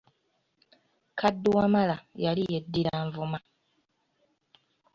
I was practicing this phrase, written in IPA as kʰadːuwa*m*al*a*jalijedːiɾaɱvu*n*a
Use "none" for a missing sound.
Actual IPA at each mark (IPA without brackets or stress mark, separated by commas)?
m, a, m